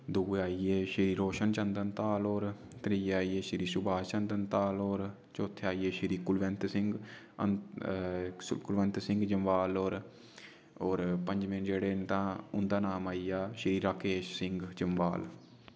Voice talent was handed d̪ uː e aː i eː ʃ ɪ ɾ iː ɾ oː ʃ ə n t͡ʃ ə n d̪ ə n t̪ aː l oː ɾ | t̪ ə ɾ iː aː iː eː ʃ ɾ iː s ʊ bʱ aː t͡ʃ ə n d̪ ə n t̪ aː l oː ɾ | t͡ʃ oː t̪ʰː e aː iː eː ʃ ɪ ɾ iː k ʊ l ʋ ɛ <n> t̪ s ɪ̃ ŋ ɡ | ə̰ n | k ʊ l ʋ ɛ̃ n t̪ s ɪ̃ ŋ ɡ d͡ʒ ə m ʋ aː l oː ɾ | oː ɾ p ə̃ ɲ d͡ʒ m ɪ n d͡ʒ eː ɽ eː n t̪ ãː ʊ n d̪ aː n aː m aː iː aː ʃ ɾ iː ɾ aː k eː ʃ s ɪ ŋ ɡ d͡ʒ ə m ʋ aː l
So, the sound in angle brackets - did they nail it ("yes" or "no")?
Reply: yes